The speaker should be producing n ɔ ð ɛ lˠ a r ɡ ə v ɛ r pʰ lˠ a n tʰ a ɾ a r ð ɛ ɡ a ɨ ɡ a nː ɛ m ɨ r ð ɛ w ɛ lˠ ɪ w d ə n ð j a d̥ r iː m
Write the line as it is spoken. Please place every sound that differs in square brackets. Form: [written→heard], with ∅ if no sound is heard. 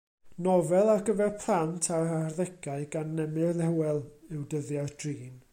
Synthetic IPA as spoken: n ɔ [ð→v] ɛ lˠ a r ɡ ə v ɛ r pʰ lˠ a n tʰ a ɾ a r ð ɛ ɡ a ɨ ɡ a nː ɛ m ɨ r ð ɛ w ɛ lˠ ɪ w d ə [n→∅] ð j a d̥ r iː [m→n]